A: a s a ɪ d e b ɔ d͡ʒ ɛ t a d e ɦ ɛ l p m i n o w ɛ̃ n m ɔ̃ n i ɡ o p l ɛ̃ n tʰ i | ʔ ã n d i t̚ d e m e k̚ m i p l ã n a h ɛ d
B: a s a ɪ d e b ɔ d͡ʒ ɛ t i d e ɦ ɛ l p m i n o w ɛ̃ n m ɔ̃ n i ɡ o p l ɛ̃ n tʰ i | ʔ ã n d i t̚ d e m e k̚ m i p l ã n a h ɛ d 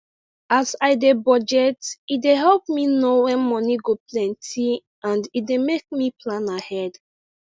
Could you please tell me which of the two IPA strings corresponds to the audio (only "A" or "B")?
B